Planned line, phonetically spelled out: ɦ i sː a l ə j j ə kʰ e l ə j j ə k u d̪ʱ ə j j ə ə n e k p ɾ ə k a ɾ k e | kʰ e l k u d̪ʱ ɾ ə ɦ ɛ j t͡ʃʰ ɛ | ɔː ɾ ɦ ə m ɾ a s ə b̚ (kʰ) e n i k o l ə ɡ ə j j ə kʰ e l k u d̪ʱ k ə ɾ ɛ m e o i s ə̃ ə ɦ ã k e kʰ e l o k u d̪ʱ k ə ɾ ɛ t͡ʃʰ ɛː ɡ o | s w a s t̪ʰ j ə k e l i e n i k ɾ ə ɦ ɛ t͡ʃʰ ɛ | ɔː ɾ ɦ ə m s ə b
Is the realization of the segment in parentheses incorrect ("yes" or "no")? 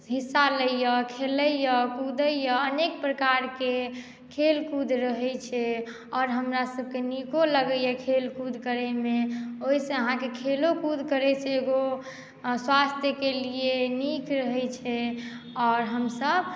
yes